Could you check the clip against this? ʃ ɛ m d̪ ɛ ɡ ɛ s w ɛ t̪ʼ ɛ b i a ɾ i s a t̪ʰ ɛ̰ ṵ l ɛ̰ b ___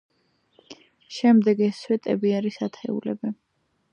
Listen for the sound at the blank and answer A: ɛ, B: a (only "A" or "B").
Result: A